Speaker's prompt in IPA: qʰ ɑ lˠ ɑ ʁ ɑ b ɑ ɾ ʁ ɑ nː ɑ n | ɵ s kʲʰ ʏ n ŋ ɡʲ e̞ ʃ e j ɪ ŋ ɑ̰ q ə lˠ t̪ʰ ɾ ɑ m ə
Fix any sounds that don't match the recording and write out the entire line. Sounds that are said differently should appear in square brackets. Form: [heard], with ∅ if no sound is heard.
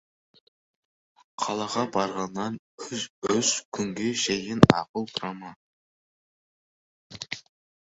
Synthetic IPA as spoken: qʰ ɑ lˠ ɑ ʁ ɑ b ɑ ɾ ʁ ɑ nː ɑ n | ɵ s kʲʰ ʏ [∅] ŋ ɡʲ e̞ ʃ e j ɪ [n] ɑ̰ q ə lˠ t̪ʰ ɾ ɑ m [ɑ]